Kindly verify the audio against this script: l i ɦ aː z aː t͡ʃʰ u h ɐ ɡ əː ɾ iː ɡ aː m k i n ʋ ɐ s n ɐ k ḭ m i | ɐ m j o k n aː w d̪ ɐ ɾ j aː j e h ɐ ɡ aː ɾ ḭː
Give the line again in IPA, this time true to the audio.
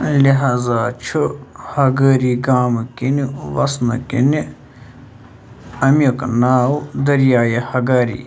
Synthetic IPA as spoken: l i ɦ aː z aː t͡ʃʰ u h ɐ ɡ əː ɾ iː ɡ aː m k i n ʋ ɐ s n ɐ k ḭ n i | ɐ m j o k n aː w d̪ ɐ ɾ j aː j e h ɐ ɡ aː ɾ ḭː